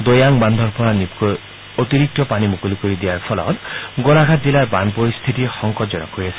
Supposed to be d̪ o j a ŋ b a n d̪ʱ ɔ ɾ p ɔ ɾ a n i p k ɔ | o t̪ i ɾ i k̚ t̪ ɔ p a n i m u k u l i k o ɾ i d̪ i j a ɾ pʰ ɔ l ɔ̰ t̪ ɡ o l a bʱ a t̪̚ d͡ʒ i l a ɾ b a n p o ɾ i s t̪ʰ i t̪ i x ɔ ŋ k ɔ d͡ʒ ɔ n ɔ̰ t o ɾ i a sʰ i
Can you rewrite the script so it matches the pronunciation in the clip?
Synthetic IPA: d̪ o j a ŋ b a n d̪ʱ ɔ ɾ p ɔ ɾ a n i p k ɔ | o t̪ i ɾ i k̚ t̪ ɔ p a n i m u k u l i k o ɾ i d̪ i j a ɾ pʰ ɔ l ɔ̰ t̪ ɡ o l a ɡʱ a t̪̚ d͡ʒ i l a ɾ b a n p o ɾ i s t̪ʰ i t̪ i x ɔ ŋ k ɔ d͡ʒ ɔ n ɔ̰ k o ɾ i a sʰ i